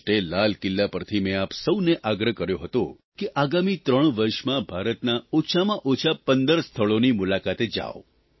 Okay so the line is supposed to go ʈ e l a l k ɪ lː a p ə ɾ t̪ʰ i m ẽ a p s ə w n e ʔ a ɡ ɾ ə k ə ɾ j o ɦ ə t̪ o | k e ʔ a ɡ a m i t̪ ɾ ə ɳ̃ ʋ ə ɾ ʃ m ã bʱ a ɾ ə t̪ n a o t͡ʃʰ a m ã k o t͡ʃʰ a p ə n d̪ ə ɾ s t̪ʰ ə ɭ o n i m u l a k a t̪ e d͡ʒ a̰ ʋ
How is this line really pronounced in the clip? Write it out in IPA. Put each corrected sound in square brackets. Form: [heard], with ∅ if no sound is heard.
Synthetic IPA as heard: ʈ e l a l k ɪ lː a p ə ɾ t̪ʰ i m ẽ a p s ə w n e ʔ a ɡ ɾ ə k ə ɾ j o ɦ ə t̪ o | k e ʔ a ɡ a m i t̪ ɾ ə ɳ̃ ʋ ə ɾ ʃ m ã bʱ a ɾ ə t̪ n a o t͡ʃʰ a m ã [ʔ] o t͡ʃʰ a p ə n d̪ ə ɾ s t̪ʰ ə ɭ o n i m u l a k a t̪ e d͡ʒ a̰ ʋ